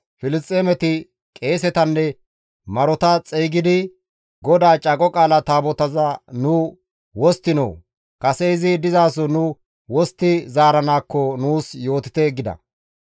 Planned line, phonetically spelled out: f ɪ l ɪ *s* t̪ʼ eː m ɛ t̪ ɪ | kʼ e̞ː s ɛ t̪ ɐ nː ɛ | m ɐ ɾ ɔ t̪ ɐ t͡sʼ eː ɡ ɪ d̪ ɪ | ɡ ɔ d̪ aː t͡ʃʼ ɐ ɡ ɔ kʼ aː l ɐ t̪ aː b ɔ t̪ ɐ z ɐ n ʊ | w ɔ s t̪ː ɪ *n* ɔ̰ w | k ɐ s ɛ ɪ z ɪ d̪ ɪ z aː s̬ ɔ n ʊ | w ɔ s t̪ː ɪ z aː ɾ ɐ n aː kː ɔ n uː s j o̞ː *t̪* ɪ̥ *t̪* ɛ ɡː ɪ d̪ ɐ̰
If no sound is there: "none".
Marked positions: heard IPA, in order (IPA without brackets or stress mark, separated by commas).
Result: s, n, t̪, t̪